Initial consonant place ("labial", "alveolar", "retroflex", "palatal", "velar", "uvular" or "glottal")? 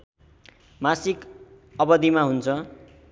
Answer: labial